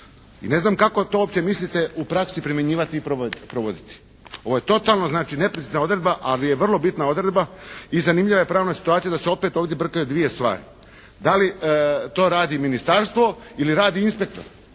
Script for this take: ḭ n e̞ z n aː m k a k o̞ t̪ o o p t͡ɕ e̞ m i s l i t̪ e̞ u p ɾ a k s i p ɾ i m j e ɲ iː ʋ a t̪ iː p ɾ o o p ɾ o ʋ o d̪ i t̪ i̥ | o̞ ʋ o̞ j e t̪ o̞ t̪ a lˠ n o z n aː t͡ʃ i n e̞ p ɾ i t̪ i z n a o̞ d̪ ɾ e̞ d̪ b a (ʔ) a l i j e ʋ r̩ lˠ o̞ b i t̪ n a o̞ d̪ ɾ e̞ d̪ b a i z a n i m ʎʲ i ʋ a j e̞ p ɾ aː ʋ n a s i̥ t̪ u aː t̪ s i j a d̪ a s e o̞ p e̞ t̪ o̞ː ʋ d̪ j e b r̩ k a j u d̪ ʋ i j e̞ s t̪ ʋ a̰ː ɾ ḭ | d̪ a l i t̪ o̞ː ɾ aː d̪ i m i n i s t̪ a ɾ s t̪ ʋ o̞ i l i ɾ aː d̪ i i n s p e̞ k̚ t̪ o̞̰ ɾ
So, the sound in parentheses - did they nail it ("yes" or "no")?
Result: yes